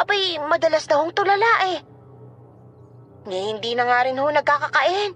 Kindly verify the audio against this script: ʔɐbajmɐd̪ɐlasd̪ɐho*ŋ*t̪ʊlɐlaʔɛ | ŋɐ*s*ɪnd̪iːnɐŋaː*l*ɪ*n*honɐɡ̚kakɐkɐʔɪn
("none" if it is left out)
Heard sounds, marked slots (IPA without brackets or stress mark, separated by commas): ŋ, h, ɾ, n